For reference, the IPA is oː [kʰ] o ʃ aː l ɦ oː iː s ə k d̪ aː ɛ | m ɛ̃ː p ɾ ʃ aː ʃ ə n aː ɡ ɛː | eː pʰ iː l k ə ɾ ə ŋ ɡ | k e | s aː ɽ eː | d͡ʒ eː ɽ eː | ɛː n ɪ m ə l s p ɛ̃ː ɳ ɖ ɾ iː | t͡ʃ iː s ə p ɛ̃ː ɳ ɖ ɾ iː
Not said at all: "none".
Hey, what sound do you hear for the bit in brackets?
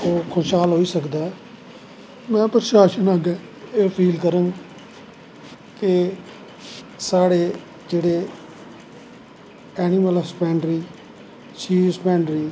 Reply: kʰ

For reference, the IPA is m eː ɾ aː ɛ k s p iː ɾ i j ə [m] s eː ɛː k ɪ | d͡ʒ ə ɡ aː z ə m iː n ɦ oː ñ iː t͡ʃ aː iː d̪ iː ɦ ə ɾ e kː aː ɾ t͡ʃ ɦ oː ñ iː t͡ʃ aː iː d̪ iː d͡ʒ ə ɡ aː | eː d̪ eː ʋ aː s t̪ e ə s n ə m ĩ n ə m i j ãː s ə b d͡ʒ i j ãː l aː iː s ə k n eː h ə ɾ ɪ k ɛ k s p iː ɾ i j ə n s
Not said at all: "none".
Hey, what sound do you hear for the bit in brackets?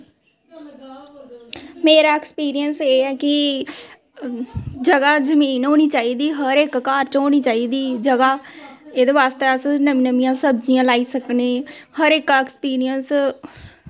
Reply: n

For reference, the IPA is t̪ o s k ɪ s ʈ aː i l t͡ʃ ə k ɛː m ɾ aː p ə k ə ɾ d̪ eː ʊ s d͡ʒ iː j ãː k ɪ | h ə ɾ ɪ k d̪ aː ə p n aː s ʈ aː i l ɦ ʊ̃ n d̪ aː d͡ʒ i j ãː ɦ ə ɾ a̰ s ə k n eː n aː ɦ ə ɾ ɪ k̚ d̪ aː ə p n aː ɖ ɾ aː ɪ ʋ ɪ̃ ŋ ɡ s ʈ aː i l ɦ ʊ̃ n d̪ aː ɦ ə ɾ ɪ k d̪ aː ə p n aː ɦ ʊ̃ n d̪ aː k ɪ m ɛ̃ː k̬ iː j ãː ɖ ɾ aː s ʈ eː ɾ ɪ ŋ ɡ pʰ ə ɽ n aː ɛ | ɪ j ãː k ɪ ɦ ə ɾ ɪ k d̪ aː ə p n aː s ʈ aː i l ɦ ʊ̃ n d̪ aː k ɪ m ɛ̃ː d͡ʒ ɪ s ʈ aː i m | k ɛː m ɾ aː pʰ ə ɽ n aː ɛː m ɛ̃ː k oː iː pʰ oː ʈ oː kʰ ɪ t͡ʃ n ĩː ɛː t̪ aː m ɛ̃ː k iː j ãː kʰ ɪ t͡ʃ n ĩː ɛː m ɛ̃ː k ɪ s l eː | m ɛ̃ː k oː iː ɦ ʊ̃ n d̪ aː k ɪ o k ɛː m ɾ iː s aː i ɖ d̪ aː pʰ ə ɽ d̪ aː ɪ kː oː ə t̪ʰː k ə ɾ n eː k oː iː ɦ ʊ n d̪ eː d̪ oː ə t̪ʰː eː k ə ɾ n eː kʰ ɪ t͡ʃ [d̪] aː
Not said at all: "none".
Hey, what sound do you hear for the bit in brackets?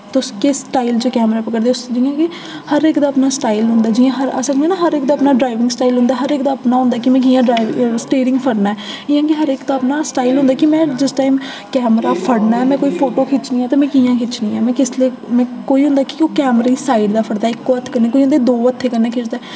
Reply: d̪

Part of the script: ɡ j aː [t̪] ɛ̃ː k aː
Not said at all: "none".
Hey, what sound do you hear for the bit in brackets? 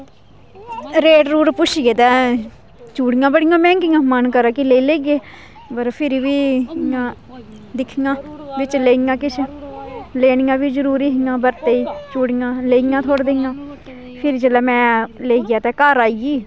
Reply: t̪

